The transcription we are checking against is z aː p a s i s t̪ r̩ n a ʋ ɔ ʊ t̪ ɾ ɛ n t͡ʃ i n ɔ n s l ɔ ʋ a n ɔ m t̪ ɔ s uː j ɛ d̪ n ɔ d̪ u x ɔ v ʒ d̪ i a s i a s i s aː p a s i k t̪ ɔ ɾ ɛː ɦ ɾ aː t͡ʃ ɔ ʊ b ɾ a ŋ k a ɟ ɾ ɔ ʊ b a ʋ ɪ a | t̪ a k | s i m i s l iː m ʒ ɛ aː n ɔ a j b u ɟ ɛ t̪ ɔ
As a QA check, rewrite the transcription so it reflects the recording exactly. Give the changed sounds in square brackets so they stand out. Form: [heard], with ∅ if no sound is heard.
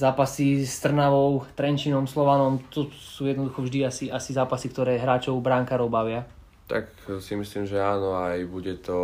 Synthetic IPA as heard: z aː p a s i s t̪ r̩ n a ʋ ɔ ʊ t̪ ɾ ɛ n t͡ʃ i n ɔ [m] s l ɔ ʋ a n ɔ m t̪ ɔ s uː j ɛ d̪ n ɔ d̪ u x ɔ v ʒ d̪ i a s i a s i [z] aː p a s i k t̪ ɔ ɾ ɛː ɦ ɾ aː t͡ʃ ɔ ʊ b ɾ a ŋ k a [∅] ɾ ɔ ʊ b a ʋ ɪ a | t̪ a k | s i m i s l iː m ʒ ɛ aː n ɔ a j b u ɟ ɛ t̪ ɔ